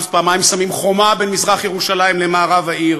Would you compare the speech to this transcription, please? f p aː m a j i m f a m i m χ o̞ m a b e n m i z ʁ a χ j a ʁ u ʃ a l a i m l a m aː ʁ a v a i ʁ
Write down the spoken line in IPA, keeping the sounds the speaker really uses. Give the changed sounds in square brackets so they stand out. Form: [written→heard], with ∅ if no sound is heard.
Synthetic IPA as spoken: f p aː m a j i m [f→s] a m i m χ o̞ m a b e n m i z ʁ a χ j [a→e] ʁ u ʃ a l a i m l [a→e] m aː ʁ a v a i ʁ